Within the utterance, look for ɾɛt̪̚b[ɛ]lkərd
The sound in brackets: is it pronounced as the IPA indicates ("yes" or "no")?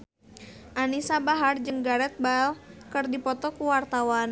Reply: no